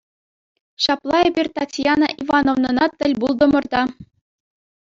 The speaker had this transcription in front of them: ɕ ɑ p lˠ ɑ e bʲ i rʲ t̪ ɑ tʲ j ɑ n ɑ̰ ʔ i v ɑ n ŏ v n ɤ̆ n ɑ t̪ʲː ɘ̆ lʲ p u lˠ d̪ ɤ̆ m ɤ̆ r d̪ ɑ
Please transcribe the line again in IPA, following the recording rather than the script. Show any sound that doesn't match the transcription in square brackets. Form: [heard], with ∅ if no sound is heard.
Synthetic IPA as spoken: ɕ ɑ p lˠ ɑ e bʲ i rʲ t̪ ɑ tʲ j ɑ n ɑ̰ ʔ i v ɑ n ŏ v n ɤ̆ n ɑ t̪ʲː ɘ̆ lʲ [b] u lˠ d̪ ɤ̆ m ɤ̆ r d̪ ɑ